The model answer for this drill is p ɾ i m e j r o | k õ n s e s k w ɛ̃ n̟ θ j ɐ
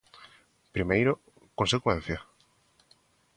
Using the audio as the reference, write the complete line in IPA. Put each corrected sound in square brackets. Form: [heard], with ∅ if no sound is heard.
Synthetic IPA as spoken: p ɾ i m e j [ɾ] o | k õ n s e [∅] k w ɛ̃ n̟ θ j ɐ